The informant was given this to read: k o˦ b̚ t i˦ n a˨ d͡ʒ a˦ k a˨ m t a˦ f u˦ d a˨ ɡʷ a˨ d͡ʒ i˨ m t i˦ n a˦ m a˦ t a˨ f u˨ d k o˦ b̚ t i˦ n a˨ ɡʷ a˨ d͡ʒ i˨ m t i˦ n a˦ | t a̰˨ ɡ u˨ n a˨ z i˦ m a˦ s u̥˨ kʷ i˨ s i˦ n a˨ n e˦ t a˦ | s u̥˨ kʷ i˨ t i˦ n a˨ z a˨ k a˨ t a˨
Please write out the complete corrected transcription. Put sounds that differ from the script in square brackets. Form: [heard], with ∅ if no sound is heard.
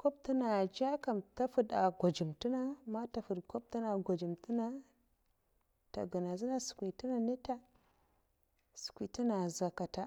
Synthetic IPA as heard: k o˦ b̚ t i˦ n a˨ d͡ʒ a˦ k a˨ m t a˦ f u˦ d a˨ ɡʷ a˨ d͡ʒ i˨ m t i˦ n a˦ m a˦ t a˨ f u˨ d k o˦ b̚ t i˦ n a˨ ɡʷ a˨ d͡ʒ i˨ m t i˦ n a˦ | t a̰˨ ɡ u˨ n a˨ z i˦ [n] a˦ s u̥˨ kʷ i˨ [t] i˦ n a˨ n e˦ t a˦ | s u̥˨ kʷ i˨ t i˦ n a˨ z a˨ k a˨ t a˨